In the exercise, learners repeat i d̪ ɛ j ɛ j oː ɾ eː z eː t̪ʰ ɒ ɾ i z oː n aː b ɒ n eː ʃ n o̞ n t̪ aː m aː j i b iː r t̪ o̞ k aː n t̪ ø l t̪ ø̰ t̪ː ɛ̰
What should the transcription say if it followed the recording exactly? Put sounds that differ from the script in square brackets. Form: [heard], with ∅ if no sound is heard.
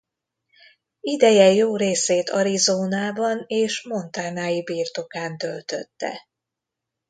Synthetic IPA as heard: i d̪ ɛ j ɛ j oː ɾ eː [s] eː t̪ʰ ɒ ɾ i z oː n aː b ɒ n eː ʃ [m] o̞ n t̪ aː [n] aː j i b iː r t̪ o̞ k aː n t̪ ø l t̪ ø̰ t̪ː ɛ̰